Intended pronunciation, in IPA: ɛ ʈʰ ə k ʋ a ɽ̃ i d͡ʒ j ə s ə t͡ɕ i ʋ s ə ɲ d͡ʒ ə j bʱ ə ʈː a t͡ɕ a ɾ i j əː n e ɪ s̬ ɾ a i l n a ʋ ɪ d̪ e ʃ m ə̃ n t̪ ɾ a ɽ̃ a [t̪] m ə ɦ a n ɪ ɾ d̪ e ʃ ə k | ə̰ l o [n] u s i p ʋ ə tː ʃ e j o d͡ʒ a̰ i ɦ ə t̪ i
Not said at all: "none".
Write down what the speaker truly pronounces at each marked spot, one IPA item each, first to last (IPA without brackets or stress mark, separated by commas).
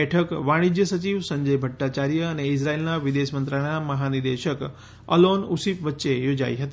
none, n